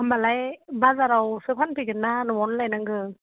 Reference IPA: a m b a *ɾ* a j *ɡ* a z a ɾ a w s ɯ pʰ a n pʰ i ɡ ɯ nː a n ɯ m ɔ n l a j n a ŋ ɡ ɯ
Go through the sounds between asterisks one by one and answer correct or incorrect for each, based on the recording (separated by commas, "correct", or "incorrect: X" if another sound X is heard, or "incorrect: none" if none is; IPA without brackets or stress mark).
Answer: incorrect: l, incorrect: b